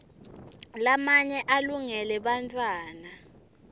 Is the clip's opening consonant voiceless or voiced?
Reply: voiced